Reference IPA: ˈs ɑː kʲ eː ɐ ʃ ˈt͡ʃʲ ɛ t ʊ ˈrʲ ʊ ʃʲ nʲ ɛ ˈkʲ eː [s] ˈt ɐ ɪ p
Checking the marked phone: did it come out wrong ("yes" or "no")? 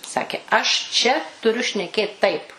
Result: yes